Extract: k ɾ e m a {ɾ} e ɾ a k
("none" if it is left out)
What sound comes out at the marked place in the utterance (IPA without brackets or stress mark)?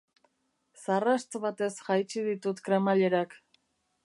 ʎ